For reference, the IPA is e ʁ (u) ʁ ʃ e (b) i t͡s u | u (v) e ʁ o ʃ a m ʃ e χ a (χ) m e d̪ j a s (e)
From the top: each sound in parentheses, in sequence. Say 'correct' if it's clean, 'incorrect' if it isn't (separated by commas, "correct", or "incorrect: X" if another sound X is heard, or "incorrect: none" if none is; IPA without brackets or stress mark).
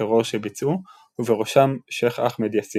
incorrect: o, correct, correct, correct, incorrect: i